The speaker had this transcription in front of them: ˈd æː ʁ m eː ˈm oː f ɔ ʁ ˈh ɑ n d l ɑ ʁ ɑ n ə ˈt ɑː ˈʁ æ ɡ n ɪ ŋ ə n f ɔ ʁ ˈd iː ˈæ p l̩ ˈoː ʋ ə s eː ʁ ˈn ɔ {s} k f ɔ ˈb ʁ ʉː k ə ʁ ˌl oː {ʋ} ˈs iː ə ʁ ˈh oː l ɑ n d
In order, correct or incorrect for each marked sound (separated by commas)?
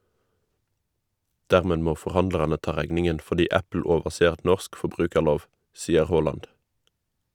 correct, correct